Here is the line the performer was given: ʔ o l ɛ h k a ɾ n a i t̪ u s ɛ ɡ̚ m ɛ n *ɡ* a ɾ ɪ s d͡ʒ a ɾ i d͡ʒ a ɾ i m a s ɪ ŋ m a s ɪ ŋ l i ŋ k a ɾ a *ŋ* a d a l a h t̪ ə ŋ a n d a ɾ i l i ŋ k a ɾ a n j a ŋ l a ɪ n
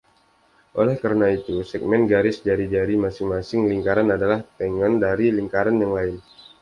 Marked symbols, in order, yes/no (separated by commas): yes, no